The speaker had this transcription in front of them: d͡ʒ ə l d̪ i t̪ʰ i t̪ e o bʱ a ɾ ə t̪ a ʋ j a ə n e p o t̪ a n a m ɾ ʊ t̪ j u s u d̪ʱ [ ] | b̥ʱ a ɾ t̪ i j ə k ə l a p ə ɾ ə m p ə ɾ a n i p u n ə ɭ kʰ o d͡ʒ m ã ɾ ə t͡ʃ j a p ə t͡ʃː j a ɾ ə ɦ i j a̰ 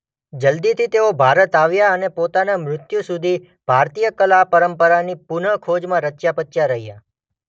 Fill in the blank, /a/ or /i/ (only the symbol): i